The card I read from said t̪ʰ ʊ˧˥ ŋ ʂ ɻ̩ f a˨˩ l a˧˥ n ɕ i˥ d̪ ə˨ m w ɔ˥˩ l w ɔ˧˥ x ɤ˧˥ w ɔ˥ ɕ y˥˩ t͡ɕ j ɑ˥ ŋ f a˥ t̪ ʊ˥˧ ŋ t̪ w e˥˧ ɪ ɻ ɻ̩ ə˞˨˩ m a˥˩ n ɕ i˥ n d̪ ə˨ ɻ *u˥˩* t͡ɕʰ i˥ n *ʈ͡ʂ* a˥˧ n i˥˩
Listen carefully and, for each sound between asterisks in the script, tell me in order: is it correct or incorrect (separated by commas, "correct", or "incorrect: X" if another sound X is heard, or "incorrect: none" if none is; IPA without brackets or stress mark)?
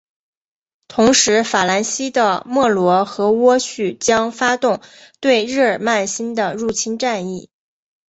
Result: correct, correct